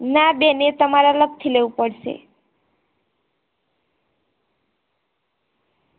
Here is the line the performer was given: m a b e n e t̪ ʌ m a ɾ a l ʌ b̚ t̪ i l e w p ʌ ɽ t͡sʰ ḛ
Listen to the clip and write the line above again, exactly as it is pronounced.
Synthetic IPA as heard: n a b e n e t̪ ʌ m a ɾ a l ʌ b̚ t̪ʰ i l e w p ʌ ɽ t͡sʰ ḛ